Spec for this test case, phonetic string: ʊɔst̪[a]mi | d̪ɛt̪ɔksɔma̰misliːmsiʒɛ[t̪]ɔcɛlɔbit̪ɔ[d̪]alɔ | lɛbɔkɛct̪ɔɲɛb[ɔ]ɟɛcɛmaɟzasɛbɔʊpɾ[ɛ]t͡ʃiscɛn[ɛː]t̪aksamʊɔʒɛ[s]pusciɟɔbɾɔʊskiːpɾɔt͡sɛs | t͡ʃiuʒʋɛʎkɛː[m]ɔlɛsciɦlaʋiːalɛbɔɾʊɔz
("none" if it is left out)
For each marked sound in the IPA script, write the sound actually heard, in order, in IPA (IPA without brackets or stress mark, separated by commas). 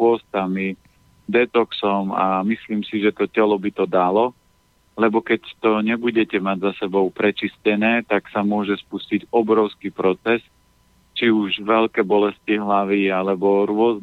a, t̪, d̪, u, ɛ, ɛː, s, b